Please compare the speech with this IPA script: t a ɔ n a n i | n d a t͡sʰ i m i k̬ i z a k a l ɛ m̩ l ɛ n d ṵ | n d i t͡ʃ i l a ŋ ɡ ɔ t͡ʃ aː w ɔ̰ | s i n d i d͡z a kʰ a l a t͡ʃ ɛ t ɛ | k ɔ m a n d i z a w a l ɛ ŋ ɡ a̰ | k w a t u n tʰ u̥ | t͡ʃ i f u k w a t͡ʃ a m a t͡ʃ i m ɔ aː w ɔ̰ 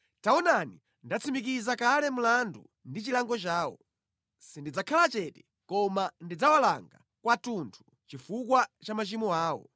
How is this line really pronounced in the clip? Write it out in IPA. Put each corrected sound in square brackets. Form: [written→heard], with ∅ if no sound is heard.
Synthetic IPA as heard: t a ɔ n a n i | n d a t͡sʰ i m i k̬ i z a k a l ɛ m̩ l [ɛ→a] n d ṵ | n d i t͡ʃ i l a ŋ ɡ ɔ t͡ʃ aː w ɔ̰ | s i n d i d͡z a kʰ a l a t͡ʃ ɛ t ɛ | k ɔ m a n d i [z→d͡z] a w a l [ɛ→a] ŋ ɡ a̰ | k w a t u n tʰ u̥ | t͡ʃ i f u k w a t͡ʃ a m a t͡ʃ i m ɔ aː w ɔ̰